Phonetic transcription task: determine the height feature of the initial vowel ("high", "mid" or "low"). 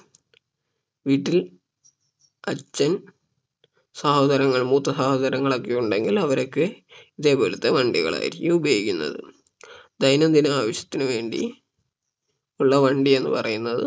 high